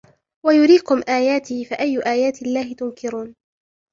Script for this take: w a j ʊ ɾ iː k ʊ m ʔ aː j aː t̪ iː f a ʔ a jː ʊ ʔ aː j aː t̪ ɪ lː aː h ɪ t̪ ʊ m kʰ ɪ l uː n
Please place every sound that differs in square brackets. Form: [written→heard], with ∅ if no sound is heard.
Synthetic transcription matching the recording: w a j ʊ ɾ iː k ʊ m ʔ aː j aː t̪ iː f a ʔ a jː ʊ ʔ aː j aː t̪ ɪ lː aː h ɪ t̪ ʊ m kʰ ɪ [l→ɾ] uː n